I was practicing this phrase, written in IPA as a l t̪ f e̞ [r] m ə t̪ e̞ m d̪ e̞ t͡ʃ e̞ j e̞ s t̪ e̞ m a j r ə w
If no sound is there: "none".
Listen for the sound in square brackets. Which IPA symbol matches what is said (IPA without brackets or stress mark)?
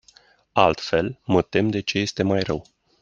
l